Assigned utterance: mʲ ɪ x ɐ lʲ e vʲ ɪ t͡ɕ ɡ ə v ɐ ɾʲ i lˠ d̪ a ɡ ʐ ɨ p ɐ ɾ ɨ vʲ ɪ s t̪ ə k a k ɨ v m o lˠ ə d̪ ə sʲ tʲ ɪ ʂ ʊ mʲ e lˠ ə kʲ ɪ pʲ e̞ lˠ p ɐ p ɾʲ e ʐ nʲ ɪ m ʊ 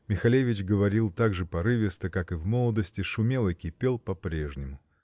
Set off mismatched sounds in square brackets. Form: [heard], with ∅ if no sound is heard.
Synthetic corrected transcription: mʲ ɪ x ɐ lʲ e vʲ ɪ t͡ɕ ɡ ə v ɐ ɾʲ i lˠ [t̪] a ɡ ʐ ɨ p ɐ ɾ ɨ vʲ ɪ s t̪ ə k a k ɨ v m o lˠ ə d̪ ə sʲ tʲ ɪ ʂ ʊ mʲ e lˠ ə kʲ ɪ pʲ e̞ lˠ p ɐ p ɾʲ e ʐ nʲ ɪ m ʊ